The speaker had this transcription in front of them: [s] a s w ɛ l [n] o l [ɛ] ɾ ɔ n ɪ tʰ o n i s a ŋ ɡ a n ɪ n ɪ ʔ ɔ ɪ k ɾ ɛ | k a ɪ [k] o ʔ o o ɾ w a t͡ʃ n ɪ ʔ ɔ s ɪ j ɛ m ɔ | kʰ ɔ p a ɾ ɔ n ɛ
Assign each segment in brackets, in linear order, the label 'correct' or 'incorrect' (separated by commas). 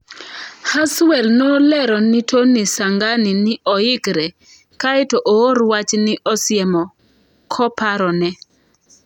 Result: incorrect, correct, correct, incorrect